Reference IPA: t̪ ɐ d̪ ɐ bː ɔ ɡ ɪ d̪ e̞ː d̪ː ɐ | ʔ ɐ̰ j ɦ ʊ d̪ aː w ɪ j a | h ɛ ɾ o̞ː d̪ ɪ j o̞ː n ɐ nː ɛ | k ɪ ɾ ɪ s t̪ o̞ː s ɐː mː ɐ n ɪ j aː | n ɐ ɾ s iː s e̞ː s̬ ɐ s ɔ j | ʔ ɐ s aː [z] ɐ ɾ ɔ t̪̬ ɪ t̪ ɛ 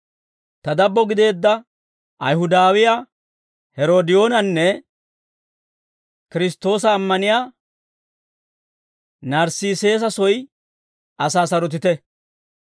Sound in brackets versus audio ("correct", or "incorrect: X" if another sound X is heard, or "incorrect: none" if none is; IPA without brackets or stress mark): incorrect: s